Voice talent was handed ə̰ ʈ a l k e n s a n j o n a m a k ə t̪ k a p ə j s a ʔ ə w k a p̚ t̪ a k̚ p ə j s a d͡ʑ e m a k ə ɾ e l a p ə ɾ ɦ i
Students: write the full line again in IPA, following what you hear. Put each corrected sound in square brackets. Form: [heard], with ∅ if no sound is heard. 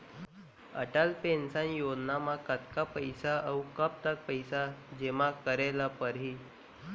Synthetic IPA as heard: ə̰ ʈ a l [p] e n s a n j o n a m a k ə t̪ k a p ə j s a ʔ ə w k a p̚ t̪ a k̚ p ə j s a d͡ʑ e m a k ə ɾ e l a p ə ɾ ɦ i